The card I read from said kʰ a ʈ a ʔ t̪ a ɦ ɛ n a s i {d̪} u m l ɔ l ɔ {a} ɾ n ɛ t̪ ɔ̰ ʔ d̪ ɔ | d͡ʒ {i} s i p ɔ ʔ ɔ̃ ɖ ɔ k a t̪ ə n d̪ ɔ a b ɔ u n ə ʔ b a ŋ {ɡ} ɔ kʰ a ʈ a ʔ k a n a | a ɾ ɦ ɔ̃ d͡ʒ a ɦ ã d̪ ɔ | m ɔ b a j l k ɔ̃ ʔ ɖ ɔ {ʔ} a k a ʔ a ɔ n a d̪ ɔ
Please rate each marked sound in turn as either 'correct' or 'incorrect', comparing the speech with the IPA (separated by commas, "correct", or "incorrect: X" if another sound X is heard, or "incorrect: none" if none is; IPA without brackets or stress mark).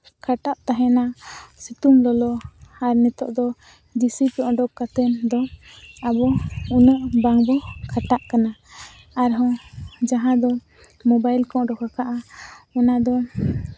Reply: incorrect: t̪, correct, correct, incorrect: b, incorrect: k